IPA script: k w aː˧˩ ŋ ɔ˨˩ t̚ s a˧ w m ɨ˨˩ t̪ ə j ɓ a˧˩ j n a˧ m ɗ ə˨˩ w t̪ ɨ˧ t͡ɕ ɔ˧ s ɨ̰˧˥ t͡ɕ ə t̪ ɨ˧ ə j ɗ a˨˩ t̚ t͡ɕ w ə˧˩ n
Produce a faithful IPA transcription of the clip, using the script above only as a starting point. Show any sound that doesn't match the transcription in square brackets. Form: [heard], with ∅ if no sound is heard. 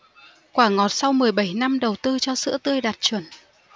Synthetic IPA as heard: k w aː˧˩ ŋ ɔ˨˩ t̚ s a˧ w m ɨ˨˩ [∅] ə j ɓ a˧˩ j n a˧ m ɗ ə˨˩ w t̪ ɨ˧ t͡ɕ ɔ˧ s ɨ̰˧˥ [∅] ə t̪ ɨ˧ ə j ɗ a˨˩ t̚ t͡ɕ w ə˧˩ n